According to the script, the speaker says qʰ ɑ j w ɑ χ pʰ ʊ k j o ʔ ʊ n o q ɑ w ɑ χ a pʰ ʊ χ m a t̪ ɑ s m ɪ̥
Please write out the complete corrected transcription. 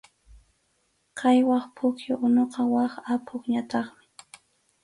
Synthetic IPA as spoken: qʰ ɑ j w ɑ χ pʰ ʊ k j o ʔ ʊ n o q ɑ w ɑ χ a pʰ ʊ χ ɲ a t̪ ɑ χ m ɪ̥